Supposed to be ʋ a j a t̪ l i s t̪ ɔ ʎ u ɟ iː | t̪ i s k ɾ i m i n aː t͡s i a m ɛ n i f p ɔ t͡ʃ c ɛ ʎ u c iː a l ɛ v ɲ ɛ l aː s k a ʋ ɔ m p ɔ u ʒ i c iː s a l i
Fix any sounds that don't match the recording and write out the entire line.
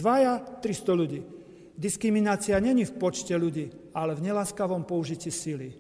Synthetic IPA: ʋ a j a t̪ ɾ i s t̪ ɔ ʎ u ɟ iː | d̪ i s k ɾ i m i n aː t͡s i a ɲ ɛ ɲ i f p ɔ t͡ʃ c ɛ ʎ u ɟ iː a l ɛ v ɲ ɛ l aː s k a ʋ ɔ m p ɔ u ʒ i c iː s i l i